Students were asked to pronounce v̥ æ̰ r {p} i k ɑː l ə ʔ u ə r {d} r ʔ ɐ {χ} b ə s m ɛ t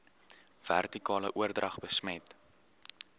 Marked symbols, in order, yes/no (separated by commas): no, yes, yes